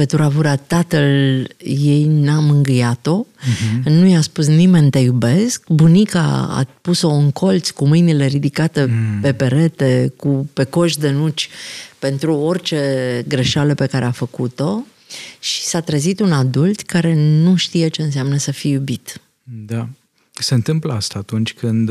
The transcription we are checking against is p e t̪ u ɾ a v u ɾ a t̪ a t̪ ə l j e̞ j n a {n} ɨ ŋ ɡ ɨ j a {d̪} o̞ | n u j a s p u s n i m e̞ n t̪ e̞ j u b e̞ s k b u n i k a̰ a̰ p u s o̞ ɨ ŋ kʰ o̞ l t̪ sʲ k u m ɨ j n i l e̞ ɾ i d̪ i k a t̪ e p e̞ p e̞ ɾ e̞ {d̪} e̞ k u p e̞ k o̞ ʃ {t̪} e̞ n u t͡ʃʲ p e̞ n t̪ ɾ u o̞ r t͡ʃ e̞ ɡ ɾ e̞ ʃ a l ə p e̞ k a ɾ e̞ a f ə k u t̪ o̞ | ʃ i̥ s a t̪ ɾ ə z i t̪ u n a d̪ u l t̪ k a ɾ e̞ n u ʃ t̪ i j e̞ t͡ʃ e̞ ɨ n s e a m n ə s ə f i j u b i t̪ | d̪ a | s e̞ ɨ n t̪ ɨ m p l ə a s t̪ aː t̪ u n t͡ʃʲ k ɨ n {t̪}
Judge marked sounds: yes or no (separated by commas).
no, no, no, no, no